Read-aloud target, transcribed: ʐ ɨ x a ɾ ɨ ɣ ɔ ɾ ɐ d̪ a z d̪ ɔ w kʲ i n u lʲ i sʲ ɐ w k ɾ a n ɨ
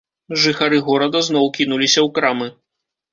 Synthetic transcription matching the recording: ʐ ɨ x a ɾ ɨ ɣ ɔ ɾ ɐ d̪ ɐ z n̪ ɔ w kʲ i n u lʲ i sʲ ɐ w k ɾ a m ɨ

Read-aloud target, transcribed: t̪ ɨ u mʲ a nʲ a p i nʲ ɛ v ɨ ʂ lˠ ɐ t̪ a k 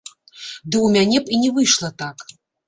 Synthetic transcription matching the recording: d̪ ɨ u mʲ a nʲ ɛ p i nʲ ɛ v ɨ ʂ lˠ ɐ t̪ a k

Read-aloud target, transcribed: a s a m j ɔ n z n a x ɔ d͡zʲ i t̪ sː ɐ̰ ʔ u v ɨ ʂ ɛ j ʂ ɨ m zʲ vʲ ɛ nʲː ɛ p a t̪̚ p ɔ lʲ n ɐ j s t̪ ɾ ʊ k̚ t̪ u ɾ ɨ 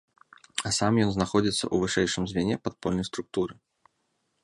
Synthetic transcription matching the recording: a s a m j ɔ n z n a x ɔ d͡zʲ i t̪ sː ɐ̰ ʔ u v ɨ ʂ ɛ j ʂ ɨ m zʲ vʲ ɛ nʲ ɛ p a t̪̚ p ɔ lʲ n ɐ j s t̪ ɾ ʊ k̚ t̪ u ɾ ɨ

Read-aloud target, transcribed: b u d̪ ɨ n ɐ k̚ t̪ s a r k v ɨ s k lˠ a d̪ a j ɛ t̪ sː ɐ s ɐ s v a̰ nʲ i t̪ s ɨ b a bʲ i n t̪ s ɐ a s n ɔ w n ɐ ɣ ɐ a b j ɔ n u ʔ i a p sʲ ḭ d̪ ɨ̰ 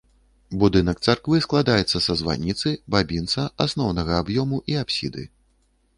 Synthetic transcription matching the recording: b u d̪ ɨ n ɐ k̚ t̪ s a r k v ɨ s k lˠ a d̪ a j ɛ t̪ sː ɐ s ɐ z v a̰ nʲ i t̪ s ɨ b a bʲ i n t̪ s ɐ a s n ɔ w n ɐ ɣ ɐ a b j ɔ m u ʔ i a p sʲ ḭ d̪ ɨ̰

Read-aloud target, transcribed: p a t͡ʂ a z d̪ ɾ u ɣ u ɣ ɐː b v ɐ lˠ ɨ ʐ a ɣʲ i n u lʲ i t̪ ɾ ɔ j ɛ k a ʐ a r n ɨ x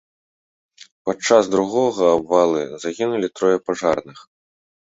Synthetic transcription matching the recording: p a t͡ʂ a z d̪ ɾ u ɣ ɔ ɣ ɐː b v a lˠ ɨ z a ɣʲ i n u lʲ i t̪ ɾ ɔ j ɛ p a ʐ a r n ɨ x

